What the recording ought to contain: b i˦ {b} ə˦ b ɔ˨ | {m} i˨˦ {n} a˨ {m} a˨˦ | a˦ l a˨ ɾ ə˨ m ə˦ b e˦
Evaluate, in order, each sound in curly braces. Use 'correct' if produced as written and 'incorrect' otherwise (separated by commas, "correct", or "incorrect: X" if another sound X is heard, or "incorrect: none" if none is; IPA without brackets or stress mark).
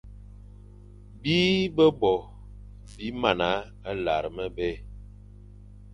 correct, incorrect: b, incorrect: m, incorrect: n